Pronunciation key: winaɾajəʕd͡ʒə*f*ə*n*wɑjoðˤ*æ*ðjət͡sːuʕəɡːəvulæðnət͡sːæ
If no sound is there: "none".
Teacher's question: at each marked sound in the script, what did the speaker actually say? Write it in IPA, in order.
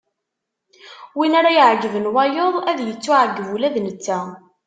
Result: v, n, æ

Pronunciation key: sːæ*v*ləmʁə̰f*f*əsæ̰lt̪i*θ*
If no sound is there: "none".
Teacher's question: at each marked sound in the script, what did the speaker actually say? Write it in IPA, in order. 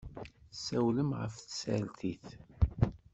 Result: w, θ, θ

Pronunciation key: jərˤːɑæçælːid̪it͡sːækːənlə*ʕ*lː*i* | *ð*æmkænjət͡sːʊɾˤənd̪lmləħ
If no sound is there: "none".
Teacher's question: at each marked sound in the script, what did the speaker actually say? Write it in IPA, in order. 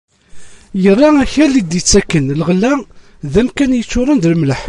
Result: ʁ, æ, ð

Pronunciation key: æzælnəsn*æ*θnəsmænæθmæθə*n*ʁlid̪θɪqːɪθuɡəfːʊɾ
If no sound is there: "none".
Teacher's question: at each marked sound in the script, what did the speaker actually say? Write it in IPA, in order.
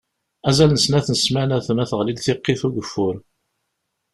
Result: æ, none

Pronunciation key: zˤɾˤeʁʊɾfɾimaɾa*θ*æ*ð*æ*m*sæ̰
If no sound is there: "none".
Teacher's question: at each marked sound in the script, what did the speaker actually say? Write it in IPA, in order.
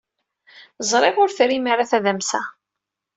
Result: θ, ð, m

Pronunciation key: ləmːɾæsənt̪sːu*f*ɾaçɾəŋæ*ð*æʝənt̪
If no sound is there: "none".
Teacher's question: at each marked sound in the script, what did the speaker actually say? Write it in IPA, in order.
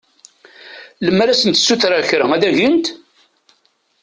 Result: θ, ð

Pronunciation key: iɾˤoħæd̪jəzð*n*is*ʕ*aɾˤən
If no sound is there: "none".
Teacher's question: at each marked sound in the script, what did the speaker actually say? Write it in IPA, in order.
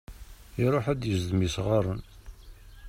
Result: m, ʁ

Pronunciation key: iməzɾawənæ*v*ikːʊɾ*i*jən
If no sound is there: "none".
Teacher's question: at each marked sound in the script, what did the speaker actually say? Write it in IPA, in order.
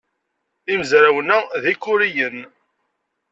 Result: ð, i

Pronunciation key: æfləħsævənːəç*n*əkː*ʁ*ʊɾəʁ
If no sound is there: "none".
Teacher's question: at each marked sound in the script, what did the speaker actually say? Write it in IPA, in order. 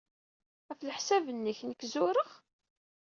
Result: n, z

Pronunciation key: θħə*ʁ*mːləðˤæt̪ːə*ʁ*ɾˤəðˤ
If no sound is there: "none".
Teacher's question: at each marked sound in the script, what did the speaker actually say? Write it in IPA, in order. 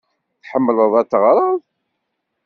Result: none, ʁ

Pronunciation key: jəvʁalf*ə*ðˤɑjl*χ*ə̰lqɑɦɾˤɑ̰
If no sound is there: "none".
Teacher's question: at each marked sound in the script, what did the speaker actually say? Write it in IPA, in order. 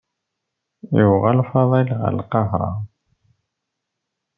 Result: ɑ, ʁ

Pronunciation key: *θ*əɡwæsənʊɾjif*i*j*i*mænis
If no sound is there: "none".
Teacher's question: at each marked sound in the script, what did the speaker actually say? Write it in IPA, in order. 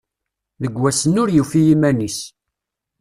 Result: ð, i, i

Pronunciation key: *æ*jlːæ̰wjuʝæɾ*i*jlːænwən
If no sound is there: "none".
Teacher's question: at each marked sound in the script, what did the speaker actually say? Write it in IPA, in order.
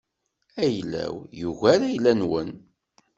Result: æ, æ

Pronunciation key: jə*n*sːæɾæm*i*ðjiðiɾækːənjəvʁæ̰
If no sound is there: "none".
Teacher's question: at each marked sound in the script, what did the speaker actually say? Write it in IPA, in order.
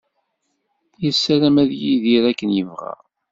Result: none, æ

